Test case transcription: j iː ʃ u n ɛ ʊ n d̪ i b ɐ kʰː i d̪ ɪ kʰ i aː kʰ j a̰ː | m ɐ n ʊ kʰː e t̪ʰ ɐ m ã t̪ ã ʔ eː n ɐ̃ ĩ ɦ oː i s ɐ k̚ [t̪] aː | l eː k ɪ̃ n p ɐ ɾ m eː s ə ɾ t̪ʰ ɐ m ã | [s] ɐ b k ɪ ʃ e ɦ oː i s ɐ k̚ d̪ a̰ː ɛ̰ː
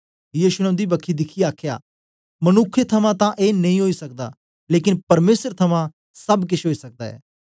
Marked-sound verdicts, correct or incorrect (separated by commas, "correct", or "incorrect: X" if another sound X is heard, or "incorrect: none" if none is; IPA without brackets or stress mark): incorrect: d̪, correct